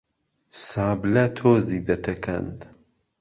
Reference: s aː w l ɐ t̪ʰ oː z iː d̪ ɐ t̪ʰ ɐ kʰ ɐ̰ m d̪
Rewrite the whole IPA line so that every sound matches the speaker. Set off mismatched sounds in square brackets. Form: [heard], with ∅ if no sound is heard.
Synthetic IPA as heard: s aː [b] l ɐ t̪ʰ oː z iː d̪ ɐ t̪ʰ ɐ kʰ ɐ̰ [n] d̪